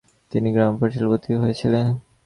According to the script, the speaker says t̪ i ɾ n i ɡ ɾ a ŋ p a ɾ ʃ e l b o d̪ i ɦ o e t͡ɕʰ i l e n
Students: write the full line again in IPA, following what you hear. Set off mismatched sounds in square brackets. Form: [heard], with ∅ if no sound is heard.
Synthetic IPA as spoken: t̪ i [∅] n i ɡ ɾ a [m] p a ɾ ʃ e l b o [t̪] i ɦ o e t͡ɕʰ i l e n